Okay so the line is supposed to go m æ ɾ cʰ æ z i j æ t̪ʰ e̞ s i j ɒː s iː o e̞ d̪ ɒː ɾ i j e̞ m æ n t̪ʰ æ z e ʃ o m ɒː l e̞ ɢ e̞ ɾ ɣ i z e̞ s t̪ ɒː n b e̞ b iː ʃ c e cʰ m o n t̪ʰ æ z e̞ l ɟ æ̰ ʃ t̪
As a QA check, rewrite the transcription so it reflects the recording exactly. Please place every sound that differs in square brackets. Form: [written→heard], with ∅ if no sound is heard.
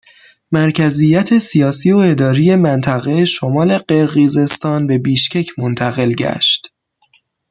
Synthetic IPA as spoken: m æ ɾ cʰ æ z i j æ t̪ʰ e̞ s i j ɒː s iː o e̞ d̪ ɒː ɾ i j e̞ m æ n t̪ʰ æ [z→ɣ] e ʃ o m ɒː l e̞ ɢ e̞ ɾ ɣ i z e̞ s t̪ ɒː n b e̞ b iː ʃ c e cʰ m o n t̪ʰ æ [z→ɣ] e̞ l ɟ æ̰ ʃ t̪